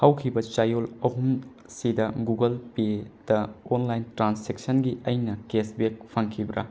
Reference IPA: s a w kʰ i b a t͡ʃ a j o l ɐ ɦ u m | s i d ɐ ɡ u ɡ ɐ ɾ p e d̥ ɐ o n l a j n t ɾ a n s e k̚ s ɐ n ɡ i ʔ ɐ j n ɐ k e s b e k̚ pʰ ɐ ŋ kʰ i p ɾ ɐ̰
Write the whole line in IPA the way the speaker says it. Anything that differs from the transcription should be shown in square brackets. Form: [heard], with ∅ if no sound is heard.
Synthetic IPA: [h] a w kʰ i b [ɐ] t͡ʃ a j o l ɐ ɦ u m | s i d ɐ ɡ u ɡ ɐ [l] p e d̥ ɐ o n l a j n t ɾ a n s e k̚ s ɐ n ɡ i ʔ ɐ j n ɐ k e s b e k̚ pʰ ɐ ŋ kʰ i [b] ɾ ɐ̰